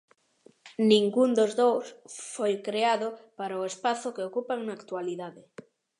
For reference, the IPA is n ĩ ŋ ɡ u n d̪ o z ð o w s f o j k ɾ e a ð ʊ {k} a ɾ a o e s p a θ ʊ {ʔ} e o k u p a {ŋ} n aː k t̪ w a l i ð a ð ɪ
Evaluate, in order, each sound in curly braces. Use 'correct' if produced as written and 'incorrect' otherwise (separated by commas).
incorrect, incorrect, correct